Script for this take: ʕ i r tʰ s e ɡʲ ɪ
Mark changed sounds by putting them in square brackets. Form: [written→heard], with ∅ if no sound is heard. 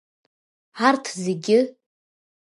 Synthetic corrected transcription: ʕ [i→a] r tʰ [s→z] e ɡʲ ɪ